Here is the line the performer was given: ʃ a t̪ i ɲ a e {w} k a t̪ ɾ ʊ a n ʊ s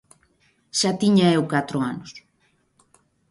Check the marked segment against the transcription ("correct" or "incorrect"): correct